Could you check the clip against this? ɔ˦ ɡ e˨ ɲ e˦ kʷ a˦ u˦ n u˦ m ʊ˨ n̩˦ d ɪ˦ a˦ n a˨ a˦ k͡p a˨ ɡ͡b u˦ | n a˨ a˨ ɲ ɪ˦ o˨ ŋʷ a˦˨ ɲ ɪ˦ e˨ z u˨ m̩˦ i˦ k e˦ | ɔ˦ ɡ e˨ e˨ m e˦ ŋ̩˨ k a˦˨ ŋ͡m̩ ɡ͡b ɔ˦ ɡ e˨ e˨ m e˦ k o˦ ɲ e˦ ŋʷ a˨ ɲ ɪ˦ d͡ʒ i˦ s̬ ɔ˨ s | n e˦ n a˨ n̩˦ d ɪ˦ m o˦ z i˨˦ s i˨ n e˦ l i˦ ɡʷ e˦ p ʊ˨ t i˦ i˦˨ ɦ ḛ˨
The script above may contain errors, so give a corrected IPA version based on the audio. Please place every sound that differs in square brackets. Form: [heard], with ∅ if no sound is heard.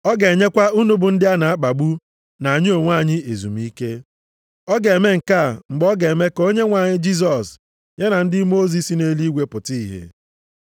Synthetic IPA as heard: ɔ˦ ɡ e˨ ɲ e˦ kʷ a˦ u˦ n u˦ [b] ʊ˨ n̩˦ d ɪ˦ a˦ n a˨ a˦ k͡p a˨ ɡ͡b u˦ | n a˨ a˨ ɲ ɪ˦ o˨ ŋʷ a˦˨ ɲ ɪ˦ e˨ z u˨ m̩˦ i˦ k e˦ | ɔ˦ ɡ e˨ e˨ m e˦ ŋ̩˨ k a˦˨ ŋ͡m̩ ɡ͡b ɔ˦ ɡ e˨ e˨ m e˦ k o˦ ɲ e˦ ŋʷ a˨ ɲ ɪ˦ d͡ʒ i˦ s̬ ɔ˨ s | [ɲ] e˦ n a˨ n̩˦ d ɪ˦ m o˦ z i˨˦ s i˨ n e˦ l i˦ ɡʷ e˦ p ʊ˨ t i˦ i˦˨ ɦ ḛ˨